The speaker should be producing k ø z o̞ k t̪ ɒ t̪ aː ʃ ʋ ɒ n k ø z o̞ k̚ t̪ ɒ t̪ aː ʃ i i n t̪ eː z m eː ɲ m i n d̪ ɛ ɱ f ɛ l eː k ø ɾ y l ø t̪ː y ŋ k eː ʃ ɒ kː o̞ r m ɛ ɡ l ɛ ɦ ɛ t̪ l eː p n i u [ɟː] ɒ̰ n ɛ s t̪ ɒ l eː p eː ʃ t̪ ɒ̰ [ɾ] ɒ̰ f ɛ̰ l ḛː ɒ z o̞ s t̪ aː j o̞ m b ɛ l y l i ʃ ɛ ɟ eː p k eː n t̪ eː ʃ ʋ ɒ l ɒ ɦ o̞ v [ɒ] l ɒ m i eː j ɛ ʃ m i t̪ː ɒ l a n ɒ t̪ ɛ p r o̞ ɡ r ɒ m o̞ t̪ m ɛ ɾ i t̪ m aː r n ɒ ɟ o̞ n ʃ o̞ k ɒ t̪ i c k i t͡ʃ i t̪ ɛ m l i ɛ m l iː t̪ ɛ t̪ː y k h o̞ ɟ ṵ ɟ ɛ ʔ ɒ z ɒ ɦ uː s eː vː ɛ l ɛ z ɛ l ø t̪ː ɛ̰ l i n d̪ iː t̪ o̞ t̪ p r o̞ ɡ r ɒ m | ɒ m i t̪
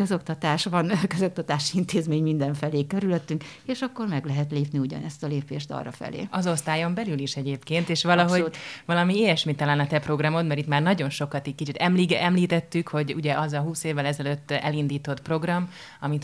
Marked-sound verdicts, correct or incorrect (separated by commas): incorrect, incorrect, correct